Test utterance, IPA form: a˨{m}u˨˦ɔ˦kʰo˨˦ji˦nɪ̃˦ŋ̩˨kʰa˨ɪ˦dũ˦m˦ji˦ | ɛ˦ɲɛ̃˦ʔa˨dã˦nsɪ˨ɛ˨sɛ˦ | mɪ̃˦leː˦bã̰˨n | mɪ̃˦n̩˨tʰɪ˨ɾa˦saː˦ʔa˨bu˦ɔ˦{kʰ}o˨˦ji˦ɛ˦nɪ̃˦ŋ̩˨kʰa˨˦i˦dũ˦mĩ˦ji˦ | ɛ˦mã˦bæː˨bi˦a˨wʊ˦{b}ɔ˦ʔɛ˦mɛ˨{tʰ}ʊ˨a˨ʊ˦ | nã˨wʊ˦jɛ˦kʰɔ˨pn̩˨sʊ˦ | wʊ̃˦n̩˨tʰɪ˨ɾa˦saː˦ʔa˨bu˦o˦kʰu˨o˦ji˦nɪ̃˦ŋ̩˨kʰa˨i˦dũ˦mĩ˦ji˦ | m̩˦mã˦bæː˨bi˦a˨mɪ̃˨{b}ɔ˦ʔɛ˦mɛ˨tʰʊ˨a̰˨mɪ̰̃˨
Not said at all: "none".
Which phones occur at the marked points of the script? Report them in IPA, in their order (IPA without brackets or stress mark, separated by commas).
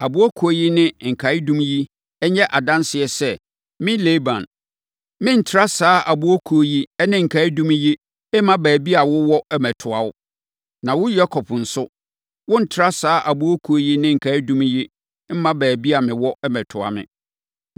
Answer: b, kʰ, w, tʰ, w